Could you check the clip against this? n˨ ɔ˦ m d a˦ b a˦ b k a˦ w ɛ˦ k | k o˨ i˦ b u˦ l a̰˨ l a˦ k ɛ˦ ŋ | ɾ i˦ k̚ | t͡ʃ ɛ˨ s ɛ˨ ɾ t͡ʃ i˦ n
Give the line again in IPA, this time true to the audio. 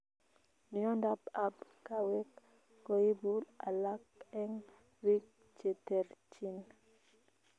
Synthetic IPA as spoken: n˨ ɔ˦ n d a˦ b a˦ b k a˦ w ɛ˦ k | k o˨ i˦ b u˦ l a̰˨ l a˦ k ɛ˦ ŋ | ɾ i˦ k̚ | t͡ʃ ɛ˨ t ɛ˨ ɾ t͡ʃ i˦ n